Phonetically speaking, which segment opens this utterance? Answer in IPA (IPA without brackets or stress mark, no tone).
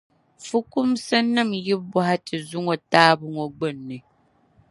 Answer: f